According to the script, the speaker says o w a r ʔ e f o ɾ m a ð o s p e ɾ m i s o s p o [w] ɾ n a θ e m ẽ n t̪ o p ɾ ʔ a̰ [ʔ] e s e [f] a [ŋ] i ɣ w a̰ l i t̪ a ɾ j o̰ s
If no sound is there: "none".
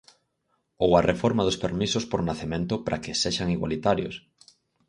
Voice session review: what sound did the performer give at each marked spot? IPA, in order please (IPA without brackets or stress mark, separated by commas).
none, k, ʃ, ŋ